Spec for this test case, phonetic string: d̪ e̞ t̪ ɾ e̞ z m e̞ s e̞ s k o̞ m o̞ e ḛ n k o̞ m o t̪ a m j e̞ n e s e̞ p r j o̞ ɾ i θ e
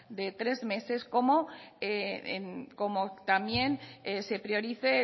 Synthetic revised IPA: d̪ e̞ t̪ ɾ e̞ z m e̞ s e̞ s k o̞ m o̞ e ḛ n k o̞ m o t̪ a m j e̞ n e s e̞ p ɾ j o̞ ɾ i θ e